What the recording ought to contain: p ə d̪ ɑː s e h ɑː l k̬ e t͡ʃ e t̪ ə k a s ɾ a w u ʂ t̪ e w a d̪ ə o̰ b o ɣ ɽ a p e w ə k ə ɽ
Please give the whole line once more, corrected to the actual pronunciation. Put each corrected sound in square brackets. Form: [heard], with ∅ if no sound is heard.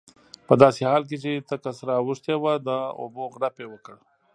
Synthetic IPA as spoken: p ə d̪ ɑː s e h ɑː l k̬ e t͡ʃ e t̪ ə k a s ɾ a w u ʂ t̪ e w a d̪ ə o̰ b o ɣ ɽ a p e w ə k ə ɽ